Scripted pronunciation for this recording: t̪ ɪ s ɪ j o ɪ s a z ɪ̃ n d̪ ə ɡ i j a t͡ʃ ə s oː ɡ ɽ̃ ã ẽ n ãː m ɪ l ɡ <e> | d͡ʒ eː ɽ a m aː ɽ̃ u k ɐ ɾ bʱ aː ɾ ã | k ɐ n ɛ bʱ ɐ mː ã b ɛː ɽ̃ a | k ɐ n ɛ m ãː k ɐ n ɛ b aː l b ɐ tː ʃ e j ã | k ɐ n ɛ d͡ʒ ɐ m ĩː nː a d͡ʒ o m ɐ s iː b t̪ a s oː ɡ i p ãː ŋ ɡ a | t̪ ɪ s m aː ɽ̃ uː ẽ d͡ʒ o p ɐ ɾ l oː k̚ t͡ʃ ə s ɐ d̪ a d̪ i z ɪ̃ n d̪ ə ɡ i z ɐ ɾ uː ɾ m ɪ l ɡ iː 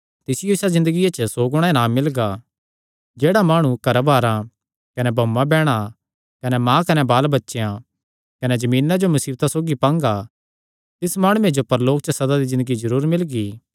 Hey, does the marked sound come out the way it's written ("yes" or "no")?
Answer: no